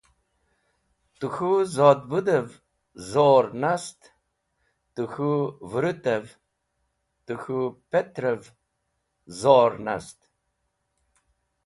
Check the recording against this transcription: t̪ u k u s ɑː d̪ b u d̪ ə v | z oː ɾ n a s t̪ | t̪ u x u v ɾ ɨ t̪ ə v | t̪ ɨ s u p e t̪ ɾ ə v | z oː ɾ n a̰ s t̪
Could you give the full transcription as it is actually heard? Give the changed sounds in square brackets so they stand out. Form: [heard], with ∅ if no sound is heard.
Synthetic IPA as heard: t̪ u [x] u [z] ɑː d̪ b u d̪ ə v | z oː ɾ n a s t̪ | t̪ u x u v ɾ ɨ t̪ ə v | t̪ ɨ [x] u p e t̪ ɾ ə v | z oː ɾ n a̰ s t̪